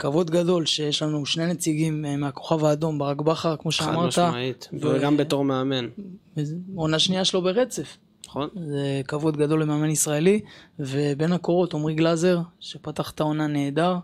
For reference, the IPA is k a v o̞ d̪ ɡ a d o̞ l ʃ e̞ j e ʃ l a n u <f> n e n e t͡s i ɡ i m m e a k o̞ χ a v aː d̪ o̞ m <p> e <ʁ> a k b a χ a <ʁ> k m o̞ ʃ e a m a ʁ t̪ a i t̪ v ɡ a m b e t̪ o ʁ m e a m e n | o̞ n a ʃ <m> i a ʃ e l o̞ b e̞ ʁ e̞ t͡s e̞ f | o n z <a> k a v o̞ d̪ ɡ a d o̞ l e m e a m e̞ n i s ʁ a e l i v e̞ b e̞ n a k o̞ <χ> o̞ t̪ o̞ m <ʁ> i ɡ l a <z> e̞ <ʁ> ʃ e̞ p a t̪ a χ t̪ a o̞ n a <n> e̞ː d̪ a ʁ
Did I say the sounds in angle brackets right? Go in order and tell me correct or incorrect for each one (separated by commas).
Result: incorrect, incorrect, correct, correct, incorrect, incorrect, incorrect, correct, correct, correct, correct